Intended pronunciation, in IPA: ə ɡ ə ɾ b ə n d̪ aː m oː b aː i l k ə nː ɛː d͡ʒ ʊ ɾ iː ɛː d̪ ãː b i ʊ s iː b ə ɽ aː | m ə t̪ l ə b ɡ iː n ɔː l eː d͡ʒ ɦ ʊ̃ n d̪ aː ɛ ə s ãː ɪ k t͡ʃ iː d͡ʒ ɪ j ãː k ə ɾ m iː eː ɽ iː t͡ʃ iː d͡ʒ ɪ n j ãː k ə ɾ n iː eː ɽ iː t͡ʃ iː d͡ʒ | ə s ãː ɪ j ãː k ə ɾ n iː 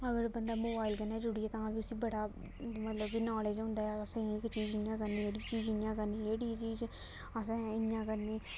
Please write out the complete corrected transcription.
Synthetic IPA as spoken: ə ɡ ə ɾ b ə n d̪ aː m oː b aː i l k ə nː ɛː d͡ʒ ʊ ɽ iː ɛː t̪ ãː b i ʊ s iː b ə ɽ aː | m ə t̪ l ə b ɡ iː n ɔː l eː d͡ʒ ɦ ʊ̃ n d̪ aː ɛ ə s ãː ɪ k t͡ʃ iː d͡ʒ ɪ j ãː k ə ɾ n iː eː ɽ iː t͡ʃ iː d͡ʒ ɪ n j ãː k ə ɾ n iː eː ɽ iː t͡ʃ iː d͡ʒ | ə s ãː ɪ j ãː k ə ɾ n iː